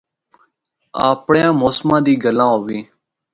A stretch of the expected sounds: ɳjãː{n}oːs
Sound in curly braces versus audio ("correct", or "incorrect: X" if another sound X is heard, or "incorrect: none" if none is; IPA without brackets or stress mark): incorrect: m